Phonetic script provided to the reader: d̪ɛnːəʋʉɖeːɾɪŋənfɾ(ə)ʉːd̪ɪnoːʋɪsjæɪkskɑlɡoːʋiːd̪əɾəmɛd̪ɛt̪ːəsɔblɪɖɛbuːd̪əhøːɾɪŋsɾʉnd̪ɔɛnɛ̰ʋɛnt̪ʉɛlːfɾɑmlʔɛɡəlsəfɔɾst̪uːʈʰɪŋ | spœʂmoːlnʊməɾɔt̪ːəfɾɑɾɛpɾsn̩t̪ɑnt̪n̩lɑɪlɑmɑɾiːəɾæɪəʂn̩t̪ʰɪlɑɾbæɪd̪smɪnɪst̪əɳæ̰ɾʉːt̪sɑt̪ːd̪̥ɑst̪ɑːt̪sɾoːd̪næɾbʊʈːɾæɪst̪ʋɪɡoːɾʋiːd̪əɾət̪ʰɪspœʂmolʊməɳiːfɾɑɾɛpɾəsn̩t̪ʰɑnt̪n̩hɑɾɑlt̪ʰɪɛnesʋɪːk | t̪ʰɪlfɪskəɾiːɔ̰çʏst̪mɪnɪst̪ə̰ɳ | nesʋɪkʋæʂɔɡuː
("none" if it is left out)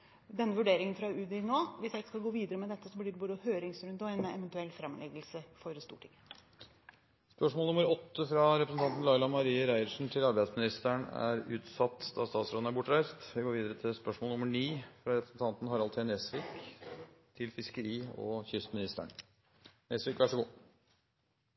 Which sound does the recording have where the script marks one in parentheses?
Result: ɑ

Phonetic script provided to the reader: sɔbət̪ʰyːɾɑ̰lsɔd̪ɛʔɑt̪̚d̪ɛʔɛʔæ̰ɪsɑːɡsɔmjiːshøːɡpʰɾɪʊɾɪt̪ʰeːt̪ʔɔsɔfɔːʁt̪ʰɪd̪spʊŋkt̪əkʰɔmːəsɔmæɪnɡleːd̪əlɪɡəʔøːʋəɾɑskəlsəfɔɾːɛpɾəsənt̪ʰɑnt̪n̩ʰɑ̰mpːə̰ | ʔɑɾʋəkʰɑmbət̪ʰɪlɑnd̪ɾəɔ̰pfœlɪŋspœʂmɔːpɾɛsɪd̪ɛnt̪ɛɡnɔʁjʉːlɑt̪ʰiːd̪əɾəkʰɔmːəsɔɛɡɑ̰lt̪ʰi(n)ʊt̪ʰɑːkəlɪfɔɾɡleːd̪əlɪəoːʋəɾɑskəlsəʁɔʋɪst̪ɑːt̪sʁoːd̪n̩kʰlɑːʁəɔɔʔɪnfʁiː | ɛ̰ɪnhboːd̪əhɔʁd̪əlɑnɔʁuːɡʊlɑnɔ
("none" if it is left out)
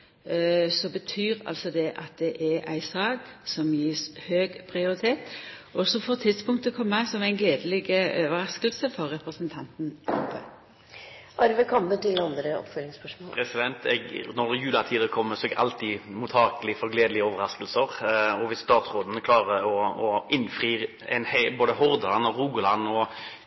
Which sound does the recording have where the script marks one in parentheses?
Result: m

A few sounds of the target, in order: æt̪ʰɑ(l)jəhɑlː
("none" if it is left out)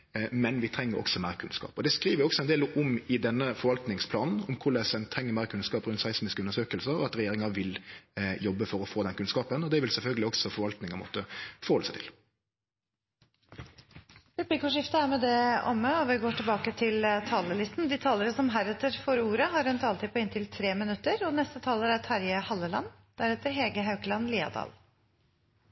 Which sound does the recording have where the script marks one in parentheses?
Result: ɾ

